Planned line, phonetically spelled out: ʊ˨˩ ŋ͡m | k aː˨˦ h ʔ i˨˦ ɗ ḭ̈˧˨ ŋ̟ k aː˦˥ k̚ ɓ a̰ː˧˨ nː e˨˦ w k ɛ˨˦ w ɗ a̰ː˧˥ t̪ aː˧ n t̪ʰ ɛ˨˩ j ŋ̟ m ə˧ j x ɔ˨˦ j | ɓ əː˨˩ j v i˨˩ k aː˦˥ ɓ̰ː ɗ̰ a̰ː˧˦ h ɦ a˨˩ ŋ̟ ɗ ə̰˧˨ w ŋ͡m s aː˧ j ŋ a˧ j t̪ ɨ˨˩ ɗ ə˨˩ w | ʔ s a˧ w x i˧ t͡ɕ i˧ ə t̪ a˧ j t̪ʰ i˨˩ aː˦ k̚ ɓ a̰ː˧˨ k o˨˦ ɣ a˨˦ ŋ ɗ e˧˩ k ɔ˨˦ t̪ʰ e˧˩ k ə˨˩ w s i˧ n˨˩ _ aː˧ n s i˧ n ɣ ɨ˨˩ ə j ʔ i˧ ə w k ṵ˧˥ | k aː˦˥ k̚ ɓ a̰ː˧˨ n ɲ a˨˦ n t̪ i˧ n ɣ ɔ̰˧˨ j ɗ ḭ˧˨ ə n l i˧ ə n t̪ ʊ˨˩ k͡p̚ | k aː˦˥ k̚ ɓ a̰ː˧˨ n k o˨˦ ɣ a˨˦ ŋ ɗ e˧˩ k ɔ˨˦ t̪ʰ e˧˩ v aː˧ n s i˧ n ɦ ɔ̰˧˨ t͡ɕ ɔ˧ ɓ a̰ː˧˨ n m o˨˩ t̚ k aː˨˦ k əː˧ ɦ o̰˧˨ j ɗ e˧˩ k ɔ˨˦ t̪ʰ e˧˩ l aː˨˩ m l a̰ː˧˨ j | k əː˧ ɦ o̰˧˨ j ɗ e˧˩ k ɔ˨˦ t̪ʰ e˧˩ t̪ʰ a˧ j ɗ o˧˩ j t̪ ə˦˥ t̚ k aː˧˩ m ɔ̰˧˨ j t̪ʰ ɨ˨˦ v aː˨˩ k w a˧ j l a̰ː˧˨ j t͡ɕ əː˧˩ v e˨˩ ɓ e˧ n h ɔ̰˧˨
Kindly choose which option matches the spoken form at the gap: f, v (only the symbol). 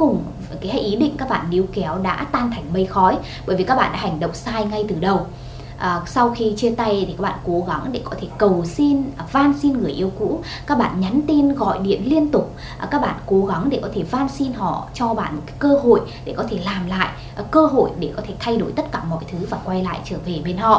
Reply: v